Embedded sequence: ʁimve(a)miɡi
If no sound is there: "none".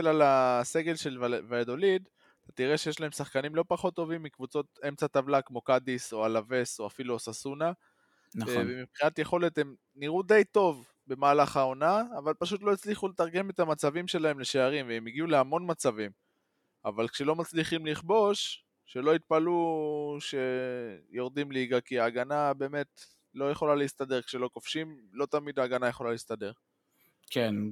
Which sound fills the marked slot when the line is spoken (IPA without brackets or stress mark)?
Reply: e